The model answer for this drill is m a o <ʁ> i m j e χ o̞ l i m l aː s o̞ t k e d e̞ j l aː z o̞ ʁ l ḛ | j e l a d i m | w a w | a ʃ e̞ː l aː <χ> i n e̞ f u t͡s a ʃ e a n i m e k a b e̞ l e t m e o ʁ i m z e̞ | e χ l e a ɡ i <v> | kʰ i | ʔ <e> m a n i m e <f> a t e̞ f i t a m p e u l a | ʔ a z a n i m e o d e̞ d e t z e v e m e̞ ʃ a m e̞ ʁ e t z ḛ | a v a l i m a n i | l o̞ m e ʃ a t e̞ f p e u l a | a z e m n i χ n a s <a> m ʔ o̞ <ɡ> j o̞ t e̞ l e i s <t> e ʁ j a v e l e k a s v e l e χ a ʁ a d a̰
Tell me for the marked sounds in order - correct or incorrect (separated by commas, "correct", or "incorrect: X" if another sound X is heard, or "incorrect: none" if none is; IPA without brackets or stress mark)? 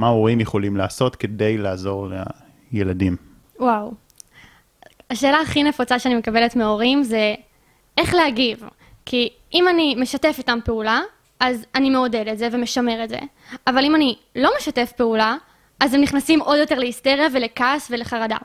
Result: correct, correct, correct, incorrect: i, incorrect: ʃ, incorrect: i, incorrect: d, correct